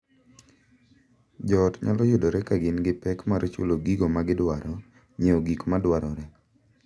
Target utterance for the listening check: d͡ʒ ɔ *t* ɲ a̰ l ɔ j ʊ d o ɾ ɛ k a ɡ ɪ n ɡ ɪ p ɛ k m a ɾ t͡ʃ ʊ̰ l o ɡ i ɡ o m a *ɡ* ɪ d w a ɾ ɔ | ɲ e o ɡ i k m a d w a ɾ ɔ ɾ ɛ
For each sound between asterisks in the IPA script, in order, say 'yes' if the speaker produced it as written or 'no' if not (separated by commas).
yes, yes